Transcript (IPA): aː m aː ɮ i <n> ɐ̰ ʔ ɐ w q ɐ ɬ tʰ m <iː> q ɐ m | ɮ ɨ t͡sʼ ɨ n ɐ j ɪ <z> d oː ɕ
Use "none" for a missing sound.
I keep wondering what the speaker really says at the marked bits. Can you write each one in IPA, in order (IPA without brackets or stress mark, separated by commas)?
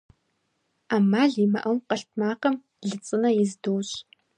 m, aː, z